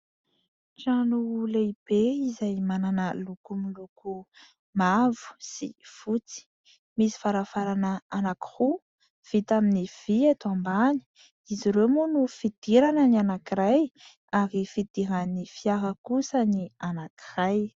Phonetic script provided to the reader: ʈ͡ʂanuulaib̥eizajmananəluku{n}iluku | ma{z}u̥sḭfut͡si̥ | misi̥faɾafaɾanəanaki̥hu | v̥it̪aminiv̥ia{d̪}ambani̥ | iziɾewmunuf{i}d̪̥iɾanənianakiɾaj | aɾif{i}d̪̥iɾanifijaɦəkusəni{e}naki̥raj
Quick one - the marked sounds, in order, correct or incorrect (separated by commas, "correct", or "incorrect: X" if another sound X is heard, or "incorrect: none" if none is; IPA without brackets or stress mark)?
incorrect: m, incorrect: v, incorrect: t̪, correct, correct, incorrect: a